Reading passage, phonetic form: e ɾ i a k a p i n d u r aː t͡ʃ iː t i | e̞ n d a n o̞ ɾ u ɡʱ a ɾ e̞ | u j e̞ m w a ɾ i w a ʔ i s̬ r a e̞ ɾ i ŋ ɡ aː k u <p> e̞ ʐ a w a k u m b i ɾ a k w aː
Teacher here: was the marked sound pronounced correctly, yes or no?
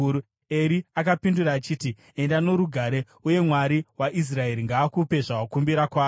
yes